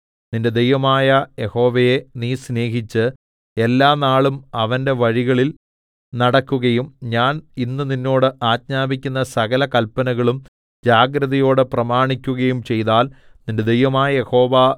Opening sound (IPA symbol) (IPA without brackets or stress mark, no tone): n